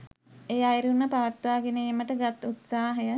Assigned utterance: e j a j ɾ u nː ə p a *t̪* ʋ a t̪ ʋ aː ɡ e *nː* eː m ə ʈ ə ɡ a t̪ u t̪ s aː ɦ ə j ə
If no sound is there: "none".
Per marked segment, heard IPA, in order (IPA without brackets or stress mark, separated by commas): none, n